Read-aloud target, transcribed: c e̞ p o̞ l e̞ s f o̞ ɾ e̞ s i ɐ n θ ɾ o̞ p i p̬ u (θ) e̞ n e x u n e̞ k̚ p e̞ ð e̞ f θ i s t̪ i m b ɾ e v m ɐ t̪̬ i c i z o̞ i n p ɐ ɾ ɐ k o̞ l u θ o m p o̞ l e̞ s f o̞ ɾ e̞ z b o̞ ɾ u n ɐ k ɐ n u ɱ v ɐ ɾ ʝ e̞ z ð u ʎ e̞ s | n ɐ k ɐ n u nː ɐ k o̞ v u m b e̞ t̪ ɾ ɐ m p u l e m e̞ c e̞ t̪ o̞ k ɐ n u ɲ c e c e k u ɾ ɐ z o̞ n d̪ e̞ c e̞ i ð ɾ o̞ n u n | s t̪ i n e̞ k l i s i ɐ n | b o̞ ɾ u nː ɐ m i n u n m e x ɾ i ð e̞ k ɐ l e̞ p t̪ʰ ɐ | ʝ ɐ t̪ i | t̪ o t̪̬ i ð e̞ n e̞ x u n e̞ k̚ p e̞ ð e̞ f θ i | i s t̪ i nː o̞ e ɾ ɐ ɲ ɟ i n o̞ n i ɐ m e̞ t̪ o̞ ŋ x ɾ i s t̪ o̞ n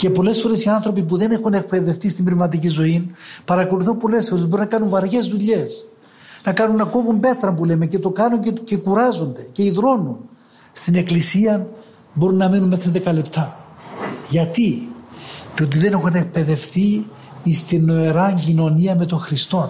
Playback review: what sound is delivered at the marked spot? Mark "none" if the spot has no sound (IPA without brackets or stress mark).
ð